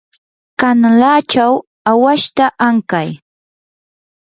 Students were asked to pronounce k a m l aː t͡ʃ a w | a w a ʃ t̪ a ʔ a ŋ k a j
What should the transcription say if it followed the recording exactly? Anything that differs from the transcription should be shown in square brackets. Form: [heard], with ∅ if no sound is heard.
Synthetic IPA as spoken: k a [n] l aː t͡ʃ a w | a w a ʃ t̪ a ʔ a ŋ k a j